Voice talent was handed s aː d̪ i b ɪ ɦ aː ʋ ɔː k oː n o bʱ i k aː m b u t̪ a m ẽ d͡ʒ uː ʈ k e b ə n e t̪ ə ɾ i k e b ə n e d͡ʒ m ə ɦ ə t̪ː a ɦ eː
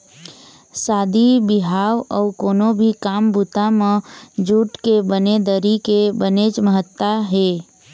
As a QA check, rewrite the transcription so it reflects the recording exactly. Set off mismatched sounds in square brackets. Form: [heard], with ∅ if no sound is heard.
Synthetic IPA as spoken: s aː d̪ i b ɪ ɦ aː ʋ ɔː k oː n o bʱ i k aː m b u t̪ a m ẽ d͡ʒ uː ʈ k e b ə n e [d̪] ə ɾ i k e b ə n e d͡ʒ m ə ɦ ə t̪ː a ɦ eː